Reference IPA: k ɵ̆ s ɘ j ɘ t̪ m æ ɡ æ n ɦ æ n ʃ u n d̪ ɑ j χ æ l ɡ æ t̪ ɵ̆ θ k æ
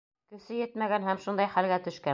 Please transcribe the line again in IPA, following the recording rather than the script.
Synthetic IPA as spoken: k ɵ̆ s ɘ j ɘ t̪ m æ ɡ æ n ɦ æ m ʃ u n d̪ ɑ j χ æ l ɡ æ t̪ ɵ̆ ʃ k æ